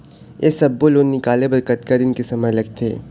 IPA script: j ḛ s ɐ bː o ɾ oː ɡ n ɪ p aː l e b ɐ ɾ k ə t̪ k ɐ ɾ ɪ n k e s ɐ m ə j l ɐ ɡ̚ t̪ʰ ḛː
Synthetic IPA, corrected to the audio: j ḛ s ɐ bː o l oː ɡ n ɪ k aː l e b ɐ ɾ k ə t̪ k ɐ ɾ ɪ n k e s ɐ m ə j l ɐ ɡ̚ t̪ʰ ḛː